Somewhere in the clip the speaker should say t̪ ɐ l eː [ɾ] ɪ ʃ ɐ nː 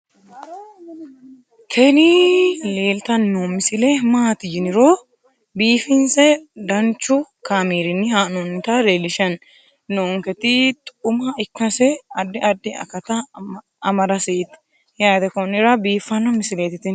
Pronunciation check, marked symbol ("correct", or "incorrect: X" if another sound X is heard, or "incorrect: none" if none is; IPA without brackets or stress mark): incorrect: l